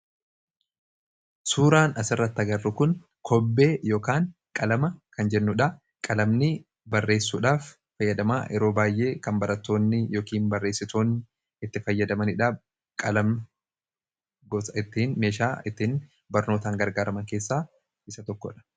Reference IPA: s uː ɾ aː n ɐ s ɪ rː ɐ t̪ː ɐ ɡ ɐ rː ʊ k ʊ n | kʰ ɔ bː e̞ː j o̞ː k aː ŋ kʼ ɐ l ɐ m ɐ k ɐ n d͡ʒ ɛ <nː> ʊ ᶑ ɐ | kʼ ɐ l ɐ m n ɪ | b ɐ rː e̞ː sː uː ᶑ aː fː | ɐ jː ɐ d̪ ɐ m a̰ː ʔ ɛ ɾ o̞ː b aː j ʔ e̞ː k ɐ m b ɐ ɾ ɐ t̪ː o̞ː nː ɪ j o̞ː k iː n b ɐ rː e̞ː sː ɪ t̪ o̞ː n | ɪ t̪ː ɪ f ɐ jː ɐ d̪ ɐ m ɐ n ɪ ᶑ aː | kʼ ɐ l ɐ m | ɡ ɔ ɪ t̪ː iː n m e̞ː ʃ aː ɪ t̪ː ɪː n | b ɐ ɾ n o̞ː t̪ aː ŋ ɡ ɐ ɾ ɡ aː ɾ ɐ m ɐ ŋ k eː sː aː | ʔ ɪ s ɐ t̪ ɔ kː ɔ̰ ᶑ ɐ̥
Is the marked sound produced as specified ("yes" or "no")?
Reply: yes